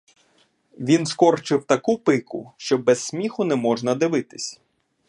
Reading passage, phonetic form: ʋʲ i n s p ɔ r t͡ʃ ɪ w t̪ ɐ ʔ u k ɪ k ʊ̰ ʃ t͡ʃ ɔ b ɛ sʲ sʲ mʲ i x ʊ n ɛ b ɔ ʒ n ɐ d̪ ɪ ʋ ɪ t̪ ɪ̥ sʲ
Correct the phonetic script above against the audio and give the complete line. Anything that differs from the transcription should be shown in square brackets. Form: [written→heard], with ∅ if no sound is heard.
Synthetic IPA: ʋʲ i n s [p→k] ɔ r t͡ʃ ɪ w t̪ ɐ [ʔ→k] u [k→p] ɪ k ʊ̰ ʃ t͡ʃ ɔ b ɛ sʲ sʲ mʲ i x ʊ n ɛ [b→m] ɔ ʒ n ɐ d̪ ɪ ʋ ɪ t̪ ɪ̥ sʲ